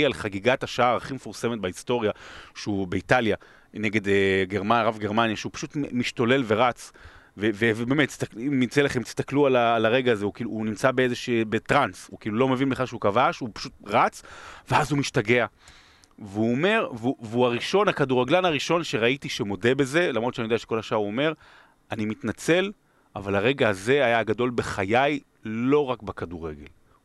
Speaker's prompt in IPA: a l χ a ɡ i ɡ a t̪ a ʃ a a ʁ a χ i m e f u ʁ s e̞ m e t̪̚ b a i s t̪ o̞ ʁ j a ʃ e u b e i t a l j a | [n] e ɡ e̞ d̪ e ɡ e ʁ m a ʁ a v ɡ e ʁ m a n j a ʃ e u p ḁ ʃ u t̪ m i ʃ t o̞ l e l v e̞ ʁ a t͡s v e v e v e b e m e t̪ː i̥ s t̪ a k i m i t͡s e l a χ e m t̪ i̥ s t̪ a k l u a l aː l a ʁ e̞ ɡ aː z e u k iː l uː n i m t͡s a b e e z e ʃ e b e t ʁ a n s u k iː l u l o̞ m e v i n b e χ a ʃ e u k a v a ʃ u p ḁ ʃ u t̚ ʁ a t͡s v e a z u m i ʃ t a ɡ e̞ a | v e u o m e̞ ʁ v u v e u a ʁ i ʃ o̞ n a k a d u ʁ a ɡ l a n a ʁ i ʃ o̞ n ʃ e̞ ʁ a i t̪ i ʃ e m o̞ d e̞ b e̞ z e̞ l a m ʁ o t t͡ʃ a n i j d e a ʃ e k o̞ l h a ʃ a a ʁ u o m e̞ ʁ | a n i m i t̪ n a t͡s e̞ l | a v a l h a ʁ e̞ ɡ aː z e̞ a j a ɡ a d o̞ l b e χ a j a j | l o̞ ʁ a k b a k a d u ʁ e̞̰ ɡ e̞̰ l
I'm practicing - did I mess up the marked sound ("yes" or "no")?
no